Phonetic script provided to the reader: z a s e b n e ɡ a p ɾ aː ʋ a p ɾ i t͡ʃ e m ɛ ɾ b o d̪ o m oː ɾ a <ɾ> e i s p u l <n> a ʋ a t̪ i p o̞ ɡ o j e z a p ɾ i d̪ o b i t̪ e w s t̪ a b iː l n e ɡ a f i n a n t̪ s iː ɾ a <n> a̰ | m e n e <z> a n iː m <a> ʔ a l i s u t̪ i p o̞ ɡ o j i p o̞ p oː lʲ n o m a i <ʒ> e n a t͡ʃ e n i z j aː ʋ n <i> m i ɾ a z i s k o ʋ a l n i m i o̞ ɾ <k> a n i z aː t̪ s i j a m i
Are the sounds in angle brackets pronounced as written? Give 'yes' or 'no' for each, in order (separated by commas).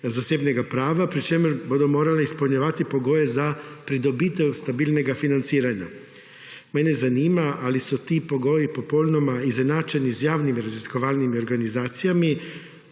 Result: no, no, no, yes, yes, no, yes, no